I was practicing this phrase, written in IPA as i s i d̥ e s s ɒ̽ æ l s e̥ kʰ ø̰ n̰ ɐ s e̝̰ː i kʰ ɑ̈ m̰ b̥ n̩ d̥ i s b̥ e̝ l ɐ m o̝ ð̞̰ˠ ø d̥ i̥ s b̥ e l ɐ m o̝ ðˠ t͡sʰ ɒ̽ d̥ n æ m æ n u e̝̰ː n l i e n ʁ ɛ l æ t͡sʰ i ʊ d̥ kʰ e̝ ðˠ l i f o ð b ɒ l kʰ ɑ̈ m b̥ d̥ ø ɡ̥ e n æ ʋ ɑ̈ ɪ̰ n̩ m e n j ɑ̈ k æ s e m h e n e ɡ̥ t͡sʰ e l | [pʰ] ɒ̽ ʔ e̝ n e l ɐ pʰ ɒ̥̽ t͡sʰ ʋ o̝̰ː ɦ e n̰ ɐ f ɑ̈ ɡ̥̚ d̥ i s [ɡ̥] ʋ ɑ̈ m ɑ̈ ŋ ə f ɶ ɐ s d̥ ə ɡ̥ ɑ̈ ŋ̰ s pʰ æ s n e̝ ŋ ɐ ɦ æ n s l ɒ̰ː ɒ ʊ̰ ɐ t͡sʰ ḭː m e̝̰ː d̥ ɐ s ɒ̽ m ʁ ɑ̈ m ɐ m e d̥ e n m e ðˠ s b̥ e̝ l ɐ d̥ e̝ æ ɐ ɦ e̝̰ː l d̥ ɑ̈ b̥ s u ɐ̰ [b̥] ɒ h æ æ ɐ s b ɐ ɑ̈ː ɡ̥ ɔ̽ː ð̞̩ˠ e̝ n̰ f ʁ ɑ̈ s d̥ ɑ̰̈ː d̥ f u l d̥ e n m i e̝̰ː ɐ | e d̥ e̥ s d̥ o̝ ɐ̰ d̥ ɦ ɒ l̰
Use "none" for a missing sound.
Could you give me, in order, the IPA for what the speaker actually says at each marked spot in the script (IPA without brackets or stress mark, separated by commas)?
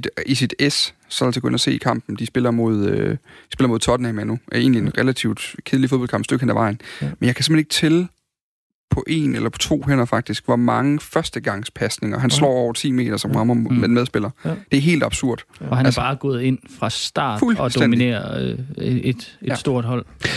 pʰ, ɡ̥, d̥